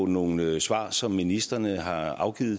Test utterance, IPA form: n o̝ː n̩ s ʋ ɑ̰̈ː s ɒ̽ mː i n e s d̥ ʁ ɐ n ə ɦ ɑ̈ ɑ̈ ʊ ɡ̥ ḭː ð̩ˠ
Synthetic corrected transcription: n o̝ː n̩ s ʋ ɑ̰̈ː s ɒ̽ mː i n i s d̥ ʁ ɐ n ə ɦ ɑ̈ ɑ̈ ʊ ɡ̥ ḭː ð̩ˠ

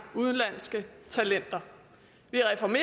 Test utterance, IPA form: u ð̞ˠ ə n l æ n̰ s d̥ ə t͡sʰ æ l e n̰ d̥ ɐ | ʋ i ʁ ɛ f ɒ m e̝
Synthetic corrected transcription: u ð̞ˠ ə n l æ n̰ s ɡ̥ ə t͡sʰ æ l e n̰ d̥ ɐ | ʋ i ʁ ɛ f ɒ m e̝

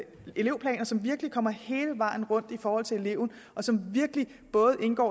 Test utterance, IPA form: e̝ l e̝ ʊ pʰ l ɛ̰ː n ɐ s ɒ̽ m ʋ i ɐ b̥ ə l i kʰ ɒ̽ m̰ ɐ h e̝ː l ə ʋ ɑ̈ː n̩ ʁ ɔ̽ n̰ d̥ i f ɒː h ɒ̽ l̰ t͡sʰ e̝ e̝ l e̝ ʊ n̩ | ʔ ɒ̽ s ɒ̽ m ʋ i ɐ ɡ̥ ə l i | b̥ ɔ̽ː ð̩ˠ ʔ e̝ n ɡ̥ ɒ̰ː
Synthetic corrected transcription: e̝ l e̝ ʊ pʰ l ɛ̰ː n ɐ s ɒ̽ m ʋ i ɐ ɡ̥ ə l i kʰ ɒ̽ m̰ ɐ h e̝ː l ə ʋ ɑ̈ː n̩ ʁ ɔ̽ n̰ d̥ i f ɒː h ɒ̽ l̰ t͡sʰ e̝ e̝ l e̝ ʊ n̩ | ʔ ɒ̽ s ɒ̽ m ʋ i ɐ ɡ̥ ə l i | b̥ ɔ̽ː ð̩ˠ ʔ e̝ n ɡ̥ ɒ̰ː

